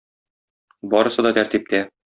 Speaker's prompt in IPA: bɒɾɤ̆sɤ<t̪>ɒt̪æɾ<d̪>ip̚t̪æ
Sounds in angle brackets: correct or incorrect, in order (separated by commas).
incorrect, incorrect